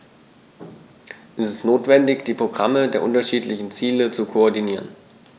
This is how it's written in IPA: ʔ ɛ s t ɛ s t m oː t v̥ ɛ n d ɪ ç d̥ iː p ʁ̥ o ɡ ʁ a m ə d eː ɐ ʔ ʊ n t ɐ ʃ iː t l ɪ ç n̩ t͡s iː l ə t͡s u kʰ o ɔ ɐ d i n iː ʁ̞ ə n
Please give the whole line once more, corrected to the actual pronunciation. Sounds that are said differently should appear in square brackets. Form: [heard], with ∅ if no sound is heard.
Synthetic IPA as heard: ʔ ɛ s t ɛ s t [n] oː t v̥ ɛ n d ɪ ç d̥ iː p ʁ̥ o ɡ ʁ a m ə d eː ɐ ʔ ʊ n t ɐ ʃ iː t l ɪ ç n̩ t͡s iː l ə t͡s u kʰ o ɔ ɐ d i n iː ʁ̞ ə n